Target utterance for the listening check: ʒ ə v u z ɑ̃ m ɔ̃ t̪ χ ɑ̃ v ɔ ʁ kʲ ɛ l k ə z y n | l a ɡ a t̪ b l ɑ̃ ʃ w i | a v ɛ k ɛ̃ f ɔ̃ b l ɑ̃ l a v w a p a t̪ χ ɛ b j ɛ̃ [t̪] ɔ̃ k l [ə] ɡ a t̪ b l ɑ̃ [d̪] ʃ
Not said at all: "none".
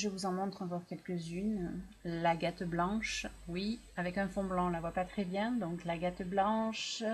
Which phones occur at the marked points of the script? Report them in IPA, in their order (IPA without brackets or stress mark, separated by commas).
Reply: d̪, a, none